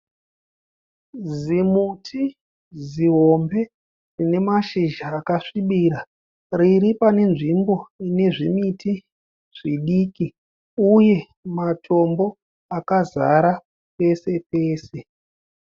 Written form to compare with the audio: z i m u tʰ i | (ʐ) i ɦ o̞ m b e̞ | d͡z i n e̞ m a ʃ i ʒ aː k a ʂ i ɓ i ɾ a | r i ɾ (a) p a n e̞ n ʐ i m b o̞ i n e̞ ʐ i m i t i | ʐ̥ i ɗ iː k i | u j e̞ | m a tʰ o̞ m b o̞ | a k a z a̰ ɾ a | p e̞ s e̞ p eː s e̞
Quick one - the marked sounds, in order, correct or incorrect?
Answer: incorrect: z, incorrect: i

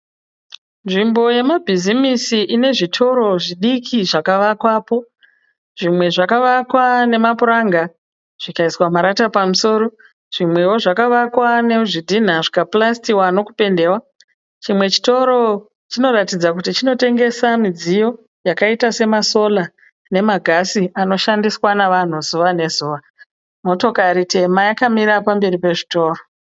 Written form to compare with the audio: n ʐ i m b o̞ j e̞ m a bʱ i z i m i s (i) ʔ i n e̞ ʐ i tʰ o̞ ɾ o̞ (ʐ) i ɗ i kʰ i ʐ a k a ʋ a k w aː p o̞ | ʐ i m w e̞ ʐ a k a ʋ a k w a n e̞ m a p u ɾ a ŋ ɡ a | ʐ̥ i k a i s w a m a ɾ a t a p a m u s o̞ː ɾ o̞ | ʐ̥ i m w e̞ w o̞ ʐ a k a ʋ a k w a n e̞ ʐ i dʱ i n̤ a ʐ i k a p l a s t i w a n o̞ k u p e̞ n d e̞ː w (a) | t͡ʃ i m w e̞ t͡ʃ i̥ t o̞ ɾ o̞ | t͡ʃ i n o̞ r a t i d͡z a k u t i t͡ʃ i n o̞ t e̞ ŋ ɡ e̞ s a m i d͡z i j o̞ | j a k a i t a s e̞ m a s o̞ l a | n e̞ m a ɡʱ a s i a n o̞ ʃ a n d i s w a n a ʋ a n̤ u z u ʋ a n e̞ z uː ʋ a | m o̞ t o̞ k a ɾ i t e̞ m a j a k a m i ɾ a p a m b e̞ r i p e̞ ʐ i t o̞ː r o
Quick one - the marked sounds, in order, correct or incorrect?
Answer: correct, correct, correct

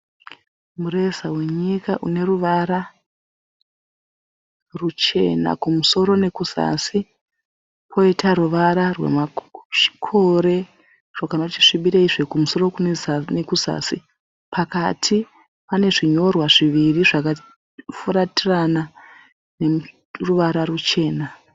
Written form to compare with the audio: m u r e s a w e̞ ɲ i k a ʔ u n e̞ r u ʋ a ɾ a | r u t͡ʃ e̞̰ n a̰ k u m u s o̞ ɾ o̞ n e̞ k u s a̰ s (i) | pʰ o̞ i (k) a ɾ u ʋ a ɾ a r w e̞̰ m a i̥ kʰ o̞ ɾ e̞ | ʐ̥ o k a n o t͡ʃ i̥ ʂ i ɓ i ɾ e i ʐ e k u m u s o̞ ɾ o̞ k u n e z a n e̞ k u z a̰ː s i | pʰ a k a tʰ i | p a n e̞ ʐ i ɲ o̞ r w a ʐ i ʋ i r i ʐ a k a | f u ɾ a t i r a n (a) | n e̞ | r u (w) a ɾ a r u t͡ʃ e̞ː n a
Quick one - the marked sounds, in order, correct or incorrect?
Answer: correct, incorrect: t, correct, incorrect: ʋ

